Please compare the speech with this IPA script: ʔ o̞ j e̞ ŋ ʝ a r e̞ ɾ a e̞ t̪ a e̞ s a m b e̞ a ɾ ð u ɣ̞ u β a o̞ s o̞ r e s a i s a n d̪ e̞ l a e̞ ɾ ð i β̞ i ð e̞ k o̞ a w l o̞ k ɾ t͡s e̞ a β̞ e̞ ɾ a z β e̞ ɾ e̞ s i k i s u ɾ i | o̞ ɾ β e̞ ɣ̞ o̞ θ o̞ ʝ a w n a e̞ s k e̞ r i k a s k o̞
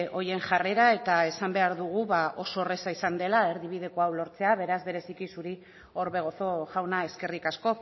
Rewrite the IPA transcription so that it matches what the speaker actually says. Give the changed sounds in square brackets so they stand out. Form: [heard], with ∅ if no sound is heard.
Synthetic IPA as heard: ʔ o̞ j e̞ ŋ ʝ a r e̞ ɾ a e̞ t̪ a e̞ s a m b e̞ a ɾ ð u ɣ̞ u β a o̞ s o̞ r e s a i s a n d̪ e̞ l a e̞ ɾ ð i β̞ i ð e̞ k o̞ a w l o̞ [∅] ɾ t͡s e̞ a β̞ e̞ ɾ a z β e̞ ɾ e̞ s i k i s u ɾ i | o̞ ɾ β e̞ ɣ̞ o̞ θ o̞ ʝ a w n a e̞ s k e̞ r i k a s k o̞